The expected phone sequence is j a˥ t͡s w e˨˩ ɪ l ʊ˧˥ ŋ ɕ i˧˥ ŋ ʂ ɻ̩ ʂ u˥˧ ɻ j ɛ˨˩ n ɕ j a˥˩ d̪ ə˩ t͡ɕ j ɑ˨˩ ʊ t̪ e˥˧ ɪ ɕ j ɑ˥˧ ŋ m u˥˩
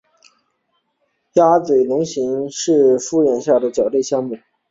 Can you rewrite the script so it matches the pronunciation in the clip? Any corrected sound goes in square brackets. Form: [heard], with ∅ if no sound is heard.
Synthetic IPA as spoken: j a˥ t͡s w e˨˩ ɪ l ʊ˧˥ ŋ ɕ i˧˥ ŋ ʂ ɻ̩ [f] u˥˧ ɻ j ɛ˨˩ n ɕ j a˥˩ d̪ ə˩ t͡ɕ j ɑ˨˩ ʊ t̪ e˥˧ ɪ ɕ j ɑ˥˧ ŋ m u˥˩